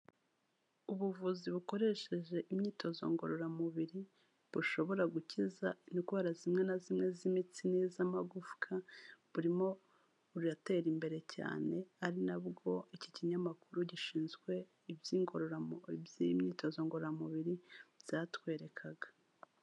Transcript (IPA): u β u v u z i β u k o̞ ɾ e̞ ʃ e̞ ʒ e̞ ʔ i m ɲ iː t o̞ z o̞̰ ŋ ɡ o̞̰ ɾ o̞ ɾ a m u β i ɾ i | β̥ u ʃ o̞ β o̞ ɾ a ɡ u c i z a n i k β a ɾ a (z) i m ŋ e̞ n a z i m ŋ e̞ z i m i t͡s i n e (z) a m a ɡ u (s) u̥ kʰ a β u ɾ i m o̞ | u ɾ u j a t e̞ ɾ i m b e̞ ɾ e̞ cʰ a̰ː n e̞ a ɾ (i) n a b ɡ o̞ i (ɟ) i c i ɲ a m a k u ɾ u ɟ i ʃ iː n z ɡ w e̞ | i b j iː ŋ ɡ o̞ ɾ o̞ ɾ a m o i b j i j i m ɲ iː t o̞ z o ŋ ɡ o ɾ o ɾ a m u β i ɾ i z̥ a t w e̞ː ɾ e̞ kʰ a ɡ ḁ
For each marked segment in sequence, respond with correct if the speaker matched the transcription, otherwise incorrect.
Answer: correct, correct, incorrect: f, correct, incorrect: c

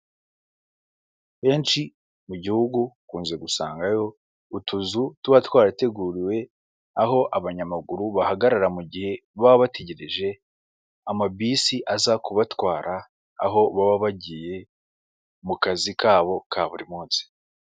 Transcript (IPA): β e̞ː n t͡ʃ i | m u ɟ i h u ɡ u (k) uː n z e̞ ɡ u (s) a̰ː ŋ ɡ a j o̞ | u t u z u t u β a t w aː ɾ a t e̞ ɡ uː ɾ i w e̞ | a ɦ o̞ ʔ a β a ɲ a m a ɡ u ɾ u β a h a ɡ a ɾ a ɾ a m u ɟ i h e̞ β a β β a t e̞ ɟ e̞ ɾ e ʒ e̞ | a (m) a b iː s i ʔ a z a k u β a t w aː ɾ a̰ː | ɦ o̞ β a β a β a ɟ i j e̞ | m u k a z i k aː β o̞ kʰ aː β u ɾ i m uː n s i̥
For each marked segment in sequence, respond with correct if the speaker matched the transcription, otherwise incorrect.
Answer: correct, correct, correct

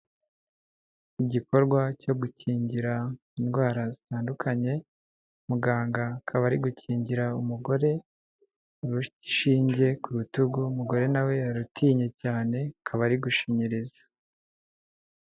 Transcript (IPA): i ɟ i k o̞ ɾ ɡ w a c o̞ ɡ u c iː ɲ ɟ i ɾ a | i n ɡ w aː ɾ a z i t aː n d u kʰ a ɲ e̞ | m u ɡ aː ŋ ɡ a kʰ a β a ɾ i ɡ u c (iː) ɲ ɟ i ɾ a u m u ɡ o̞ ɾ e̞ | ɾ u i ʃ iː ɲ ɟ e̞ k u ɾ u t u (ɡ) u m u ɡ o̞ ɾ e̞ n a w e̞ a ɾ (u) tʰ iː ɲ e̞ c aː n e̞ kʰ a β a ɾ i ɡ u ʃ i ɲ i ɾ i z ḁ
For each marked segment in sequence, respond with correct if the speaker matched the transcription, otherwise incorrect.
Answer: correct, correct, correct

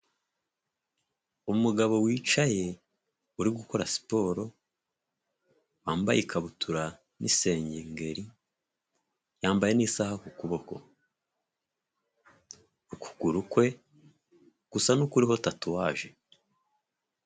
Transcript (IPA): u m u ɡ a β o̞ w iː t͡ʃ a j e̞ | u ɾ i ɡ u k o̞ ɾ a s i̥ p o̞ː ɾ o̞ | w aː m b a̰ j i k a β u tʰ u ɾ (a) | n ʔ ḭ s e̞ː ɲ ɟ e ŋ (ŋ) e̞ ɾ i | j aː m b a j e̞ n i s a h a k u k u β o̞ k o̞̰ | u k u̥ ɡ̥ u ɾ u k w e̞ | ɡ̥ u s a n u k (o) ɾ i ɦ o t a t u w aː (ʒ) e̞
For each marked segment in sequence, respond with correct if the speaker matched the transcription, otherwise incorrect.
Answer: correct, incorrect: ɡ, incorrect: u, correct

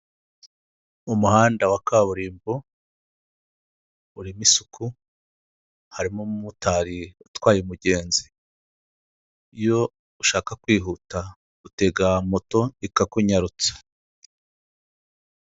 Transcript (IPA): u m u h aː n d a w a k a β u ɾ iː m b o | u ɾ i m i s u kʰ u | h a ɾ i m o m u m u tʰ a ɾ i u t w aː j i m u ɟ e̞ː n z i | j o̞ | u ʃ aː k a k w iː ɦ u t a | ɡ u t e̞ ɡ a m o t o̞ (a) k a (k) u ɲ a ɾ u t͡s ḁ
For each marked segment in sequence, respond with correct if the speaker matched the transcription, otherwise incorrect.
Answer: incorrect: i, correct

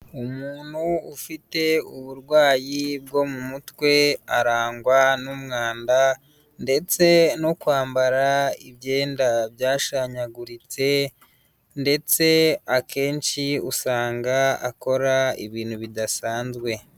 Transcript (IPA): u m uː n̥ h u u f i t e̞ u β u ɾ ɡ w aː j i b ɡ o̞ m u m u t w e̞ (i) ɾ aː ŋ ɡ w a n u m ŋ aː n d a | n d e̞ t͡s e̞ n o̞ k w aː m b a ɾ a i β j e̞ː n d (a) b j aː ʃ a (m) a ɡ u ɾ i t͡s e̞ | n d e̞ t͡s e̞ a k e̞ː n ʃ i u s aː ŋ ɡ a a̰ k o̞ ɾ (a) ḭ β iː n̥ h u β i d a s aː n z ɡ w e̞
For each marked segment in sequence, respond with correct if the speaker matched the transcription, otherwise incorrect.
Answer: incorrect: a, correct, incorrect: ɲ, correct

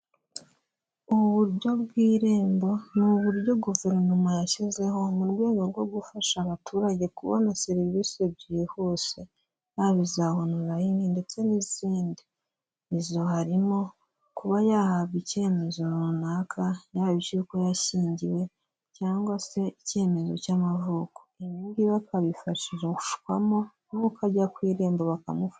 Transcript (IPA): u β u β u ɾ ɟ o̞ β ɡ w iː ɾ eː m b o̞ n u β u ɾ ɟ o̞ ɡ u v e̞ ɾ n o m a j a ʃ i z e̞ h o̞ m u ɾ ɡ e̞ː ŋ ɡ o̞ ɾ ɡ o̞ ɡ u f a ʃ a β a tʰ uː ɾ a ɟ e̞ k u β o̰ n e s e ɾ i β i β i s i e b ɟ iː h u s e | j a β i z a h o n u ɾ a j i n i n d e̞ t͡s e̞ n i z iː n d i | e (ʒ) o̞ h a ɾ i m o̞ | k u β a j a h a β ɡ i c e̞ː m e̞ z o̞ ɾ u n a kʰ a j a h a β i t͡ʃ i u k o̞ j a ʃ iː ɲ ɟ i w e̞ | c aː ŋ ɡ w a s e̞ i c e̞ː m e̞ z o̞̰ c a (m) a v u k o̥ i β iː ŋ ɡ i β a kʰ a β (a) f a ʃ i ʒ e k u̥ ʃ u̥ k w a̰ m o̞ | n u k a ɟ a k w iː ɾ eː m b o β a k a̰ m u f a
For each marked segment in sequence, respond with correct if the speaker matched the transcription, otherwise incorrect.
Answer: incorrect: z, correct, incorrect: i

